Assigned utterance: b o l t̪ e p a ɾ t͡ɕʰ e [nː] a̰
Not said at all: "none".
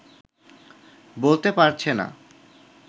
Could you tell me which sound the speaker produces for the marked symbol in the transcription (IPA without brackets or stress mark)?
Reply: n